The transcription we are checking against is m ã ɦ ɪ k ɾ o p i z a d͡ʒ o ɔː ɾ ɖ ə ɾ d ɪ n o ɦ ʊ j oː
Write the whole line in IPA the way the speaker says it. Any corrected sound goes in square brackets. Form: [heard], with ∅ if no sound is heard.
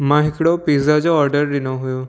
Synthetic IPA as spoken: m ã ɦ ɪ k [ɽ] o p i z a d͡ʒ o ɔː ɾ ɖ ə ɾ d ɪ n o ɦ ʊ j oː